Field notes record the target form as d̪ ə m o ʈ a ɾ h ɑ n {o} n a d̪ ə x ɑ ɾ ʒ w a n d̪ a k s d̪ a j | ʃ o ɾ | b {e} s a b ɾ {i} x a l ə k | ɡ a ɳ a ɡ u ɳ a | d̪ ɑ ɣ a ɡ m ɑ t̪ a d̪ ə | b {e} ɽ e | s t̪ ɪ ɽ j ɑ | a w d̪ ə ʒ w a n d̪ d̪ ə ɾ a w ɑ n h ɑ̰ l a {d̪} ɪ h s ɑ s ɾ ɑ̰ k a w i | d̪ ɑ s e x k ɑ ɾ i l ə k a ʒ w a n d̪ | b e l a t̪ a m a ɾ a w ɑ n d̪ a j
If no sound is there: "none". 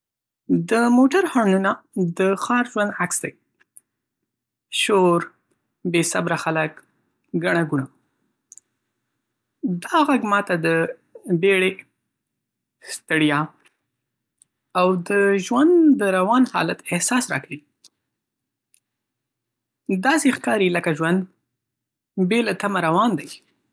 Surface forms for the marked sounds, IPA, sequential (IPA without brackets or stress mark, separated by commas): u, e, a, e, t̪